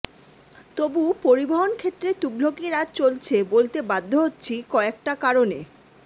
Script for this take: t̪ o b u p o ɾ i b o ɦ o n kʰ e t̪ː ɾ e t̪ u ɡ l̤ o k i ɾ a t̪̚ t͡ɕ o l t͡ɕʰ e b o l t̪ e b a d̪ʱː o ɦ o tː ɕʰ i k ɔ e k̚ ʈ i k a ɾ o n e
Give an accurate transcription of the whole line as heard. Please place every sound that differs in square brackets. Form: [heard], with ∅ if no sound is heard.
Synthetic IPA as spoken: t̪ o b u p o ɾ i b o ɦ o n kʰ e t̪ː ɾ e t̪ u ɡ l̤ o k i ɾ a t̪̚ t͡ɕ o l t͡ɕʰ e b o l t̪ e b a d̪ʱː o ɦ o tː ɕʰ i k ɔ e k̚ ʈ [a] k a ɾ o n e